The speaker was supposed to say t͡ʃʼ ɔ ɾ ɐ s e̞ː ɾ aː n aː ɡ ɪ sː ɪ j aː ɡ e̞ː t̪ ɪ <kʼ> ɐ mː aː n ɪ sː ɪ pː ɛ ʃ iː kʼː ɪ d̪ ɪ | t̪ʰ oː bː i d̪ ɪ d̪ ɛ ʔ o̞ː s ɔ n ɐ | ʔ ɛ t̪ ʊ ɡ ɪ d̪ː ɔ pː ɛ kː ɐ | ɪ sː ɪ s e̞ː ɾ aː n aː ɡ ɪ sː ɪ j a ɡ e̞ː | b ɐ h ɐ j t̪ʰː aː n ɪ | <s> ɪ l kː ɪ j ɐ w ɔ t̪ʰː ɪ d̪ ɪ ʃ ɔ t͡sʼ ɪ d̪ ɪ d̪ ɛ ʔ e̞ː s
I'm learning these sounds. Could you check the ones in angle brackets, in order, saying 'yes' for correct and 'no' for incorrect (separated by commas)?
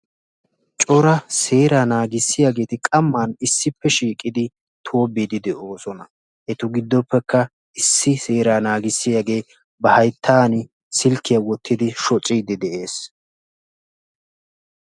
yes, yes